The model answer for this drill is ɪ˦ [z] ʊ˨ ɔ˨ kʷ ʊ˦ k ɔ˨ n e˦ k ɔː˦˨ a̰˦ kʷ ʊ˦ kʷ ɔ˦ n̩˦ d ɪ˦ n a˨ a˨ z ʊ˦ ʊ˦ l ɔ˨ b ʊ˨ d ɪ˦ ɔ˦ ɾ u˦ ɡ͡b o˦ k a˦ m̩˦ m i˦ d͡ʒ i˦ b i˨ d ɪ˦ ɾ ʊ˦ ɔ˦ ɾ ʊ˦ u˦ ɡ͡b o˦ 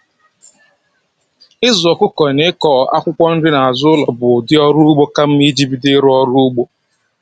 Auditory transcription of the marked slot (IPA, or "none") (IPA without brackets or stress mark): z